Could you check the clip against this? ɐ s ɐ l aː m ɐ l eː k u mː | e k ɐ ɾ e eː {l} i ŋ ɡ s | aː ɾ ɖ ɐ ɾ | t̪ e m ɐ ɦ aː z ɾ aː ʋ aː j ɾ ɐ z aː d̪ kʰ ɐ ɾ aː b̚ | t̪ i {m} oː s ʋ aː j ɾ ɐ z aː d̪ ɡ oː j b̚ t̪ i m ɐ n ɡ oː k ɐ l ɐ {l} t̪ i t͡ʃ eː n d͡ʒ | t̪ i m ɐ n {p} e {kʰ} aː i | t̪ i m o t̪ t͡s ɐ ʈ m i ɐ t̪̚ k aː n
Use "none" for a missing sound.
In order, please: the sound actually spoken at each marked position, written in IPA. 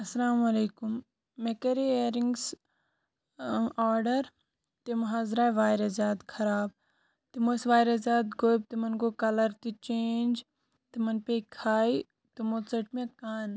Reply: ɾ, m, ɾ, p, kʰ

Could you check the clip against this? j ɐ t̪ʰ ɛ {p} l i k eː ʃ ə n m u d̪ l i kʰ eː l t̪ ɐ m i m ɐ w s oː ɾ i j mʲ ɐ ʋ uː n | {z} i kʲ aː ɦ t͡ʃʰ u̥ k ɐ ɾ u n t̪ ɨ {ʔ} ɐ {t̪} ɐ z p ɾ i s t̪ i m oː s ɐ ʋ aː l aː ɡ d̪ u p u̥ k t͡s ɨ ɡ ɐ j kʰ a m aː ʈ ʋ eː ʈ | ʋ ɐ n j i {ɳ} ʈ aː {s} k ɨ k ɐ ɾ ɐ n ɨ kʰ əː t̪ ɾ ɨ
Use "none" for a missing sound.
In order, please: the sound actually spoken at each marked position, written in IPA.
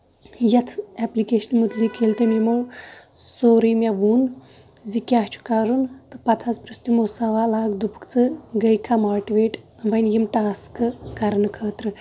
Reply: p, z, p, t̪ʰ, m, s

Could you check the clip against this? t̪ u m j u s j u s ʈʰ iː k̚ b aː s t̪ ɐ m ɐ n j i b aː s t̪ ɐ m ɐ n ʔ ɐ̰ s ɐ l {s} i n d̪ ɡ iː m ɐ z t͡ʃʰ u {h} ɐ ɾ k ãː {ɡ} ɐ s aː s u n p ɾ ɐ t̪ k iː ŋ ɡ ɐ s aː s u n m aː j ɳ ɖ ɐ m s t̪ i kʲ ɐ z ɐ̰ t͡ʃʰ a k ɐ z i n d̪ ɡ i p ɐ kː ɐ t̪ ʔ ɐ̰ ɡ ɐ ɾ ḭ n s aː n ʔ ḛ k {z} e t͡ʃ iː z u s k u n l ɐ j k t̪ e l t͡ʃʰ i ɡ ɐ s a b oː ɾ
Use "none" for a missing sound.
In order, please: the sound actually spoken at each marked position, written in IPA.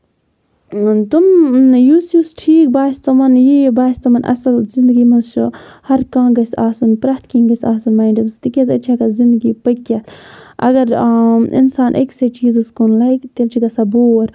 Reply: z, h, ɡ, s

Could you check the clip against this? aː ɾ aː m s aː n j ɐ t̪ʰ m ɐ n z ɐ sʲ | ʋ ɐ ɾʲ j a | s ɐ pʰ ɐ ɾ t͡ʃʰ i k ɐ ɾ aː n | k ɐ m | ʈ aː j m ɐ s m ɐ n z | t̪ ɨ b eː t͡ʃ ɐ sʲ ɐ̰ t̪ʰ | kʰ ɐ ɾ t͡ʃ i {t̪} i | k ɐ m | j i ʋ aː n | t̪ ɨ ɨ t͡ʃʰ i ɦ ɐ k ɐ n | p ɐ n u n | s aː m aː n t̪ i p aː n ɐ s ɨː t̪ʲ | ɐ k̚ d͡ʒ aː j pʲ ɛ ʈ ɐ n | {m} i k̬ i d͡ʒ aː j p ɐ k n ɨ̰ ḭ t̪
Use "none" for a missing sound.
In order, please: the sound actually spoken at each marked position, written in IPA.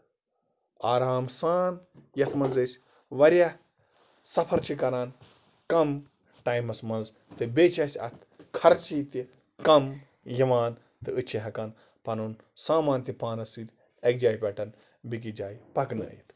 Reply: t̪, b

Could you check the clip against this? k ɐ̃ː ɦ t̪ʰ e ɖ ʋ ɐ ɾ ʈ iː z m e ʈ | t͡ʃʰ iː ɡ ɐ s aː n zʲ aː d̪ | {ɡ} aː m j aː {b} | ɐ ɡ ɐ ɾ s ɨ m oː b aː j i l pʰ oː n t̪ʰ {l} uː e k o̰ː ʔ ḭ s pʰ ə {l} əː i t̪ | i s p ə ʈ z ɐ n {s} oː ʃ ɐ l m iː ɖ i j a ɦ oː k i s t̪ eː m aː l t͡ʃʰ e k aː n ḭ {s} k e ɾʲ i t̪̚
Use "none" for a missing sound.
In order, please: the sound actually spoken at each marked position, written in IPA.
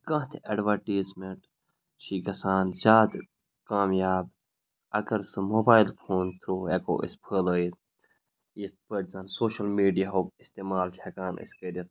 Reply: k, b, ɾ, l, s, s

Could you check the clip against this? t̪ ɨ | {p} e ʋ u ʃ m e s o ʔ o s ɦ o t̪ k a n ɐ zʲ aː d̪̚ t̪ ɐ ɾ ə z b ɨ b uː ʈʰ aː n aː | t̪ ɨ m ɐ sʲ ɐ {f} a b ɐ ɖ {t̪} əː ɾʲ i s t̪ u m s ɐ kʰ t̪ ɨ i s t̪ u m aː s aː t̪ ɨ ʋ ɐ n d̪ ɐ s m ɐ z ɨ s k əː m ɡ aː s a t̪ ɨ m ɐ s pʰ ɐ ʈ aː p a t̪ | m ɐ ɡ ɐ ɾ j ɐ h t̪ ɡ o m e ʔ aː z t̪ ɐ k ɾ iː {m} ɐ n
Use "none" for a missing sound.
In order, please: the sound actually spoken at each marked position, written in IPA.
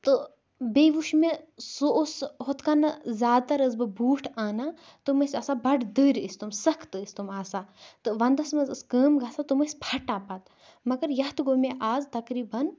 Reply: b, s, d̪, b

